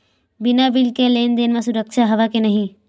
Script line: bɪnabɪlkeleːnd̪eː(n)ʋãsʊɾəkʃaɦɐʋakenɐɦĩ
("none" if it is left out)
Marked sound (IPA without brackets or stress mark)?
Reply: n